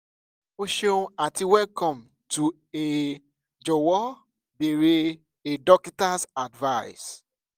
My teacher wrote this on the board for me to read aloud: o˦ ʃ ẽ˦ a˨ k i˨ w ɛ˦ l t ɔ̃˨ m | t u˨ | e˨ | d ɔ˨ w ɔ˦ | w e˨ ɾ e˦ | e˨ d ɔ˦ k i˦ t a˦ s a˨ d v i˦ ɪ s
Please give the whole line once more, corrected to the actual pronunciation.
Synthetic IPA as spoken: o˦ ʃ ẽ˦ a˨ t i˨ w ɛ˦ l k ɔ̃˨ m | t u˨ | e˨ | d͡ʒ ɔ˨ w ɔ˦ | b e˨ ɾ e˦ | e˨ d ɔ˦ k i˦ t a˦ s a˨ d v a˦ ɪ s